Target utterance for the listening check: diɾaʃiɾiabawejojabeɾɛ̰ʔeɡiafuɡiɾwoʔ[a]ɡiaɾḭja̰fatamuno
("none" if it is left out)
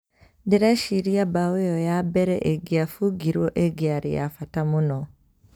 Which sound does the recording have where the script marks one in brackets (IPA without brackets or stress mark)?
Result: e